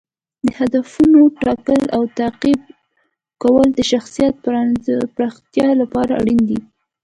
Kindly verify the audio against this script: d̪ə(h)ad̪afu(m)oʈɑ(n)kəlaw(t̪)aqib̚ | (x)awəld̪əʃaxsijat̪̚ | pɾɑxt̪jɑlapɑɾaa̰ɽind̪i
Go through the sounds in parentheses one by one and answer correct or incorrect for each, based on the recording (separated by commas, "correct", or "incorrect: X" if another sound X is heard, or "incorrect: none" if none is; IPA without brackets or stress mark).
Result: correct, incorrect: n, incorrect: none, correct, incorrect: k